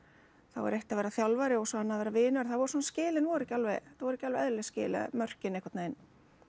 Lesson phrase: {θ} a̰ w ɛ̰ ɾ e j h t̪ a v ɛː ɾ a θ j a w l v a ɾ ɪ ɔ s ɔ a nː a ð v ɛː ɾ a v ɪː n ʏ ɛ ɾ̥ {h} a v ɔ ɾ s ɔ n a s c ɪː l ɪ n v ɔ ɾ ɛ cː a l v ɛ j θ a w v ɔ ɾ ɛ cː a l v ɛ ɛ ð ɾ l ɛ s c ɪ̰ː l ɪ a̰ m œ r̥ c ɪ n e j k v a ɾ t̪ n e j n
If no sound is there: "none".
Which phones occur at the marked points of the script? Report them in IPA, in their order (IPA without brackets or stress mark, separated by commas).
θ, θ